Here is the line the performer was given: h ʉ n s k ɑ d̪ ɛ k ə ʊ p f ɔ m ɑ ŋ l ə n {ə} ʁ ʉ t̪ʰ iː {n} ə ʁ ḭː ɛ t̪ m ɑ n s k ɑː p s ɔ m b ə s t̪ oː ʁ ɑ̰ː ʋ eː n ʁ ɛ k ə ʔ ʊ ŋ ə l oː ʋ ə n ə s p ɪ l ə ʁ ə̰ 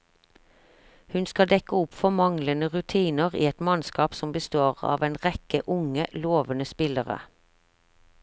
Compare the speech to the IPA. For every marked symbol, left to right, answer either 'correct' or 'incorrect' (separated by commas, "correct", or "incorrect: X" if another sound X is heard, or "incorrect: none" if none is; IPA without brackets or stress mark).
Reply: correct, correct